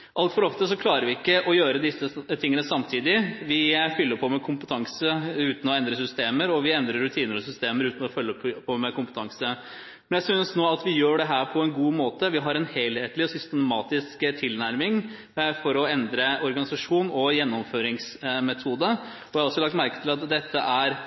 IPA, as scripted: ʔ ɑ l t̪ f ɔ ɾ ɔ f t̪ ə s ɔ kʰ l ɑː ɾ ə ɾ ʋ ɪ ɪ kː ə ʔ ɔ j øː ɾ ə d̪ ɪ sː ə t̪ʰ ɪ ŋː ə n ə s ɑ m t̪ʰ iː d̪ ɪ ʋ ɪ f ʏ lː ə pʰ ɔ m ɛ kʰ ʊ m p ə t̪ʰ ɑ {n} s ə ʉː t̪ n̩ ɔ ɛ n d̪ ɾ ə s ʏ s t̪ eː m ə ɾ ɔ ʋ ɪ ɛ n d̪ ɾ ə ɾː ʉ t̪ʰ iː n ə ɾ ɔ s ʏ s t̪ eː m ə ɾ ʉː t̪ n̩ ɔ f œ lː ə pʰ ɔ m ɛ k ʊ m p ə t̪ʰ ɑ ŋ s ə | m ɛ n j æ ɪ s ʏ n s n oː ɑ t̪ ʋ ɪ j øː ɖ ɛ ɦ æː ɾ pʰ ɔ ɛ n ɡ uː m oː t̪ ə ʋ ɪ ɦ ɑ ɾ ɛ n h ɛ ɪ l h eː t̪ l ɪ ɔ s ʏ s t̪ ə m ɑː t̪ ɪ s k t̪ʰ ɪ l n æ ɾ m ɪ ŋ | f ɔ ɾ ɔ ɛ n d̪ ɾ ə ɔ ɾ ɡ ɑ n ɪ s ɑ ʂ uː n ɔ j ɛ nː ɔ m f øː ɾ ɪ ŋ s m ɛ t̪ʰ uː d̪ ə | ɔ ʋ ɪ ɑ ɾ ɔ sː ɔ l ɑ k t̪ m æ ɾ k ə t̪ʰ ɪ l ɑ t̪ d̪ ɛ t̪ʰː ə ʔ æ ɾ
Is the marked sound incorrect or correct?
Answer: incorrect: ŋ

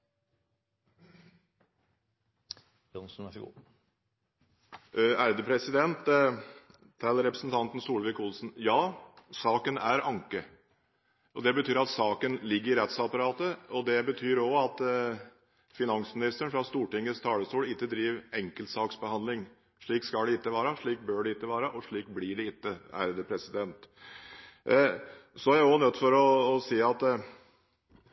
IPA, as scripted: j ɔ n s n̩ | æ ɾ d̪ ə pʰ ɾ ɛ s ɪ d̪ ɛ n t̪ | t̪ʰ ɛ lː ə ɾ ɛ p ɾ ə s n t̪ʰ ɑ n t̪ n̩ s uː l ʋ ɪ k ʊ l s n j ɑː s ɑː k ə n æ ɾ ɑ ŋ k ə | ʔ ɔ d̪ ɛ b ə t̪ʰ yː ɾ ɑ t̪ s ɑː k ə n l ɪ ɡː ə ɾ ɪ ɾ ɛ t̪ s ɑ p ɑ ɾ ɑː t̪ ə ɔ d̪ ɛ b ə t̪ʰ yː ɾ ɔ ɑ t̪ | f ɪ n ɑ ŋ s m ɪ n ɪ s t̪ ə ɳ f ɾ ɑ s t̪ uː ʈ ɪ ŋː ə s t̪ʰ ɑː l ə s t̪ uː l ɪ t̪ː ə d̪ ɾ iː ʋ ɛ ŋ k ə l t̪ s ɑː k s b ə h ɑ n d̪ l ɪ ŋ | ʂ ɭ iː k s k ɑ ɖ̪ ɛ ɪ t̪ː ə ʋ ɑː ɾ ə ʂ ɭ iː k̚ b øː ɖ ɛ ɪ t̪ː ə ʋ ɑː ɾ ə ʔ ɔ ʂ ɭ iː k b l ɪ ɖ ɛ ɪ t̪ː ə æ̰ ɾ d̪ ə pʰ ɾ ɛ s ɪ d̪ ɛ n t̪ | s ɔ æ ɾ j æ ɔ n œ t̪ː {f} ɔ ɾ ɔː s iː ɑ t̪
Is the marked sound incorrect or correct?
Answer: correct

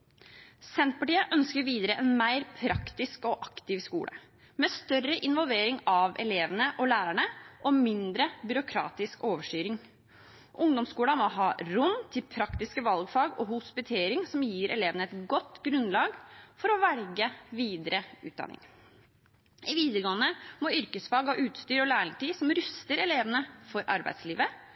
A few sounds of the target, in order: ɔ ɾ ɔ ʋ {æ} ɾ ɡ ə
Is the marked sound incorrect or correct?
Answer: correct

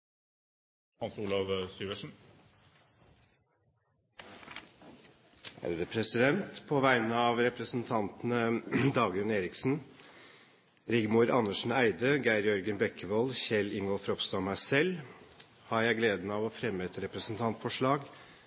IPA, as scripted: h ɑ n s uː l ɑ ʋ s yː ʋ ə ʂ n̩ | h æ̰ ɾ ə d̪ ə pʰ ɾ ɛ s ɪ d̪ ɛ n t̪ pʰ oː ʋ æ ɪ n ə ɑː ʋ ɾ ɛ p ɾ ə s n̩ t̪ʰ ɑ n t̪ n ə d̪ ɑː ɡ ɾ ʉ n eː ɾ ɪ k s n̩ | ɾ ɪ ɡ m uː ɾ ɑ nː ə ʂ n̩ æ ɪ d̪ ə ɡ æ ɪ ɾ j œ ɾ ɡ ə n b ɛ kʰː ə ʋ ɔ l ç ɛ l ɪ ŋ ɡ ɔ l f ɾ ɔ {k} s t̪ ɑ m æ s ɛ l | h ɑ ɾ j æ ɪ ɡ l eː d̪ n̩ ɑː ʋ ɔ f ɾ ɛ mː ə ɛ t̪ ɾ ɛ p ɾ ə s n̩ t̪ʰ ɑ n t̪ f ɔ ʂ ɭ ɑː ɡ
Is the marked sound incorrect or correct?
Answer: incorrect: p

